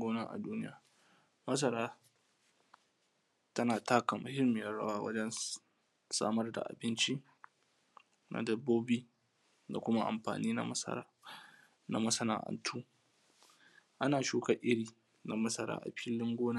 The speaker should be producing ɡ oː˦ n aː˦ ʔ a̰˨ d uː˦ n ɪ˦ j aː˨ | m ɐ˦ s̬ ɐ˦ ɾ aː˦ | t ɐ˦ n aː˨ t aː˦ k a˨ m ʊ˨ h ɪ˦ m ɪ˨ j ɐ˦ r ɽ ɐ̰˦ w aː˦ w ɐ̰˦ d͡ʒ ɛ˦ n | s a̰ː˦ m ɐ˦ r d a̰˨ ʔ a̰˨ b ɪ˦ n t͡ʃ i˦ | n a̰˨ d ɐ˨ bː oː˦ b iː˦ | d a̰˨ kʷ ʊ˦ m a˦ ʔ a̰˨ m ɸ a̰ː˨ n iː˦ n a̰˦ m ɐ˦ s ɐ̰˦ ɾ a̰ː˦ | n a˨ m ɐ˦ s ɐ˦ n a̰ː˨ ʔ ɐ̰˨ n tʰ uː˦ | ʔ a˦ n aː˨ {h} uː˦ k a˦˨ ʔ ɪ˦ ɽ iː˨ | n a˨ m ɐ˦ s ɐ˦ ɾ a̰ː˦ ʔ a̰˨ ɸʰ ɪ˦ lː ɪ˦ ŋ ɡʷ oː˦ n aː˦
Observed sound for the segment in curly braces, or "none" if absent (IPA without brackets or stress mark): ʃ